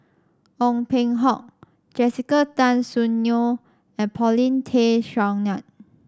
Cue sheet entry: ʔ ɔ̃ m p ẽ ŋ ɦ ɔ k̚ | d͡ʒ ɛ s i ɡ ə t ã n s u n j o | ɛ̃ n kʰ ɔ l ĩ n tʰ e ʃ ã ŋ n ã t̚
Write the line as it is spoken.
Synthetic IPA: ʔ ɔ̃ ŋ p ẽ ŋ ɦ ɔ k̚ | d͡ʒ ɛ s i k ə t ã n s u n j o | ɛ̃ n pʰ ɔ l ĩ n tʰ e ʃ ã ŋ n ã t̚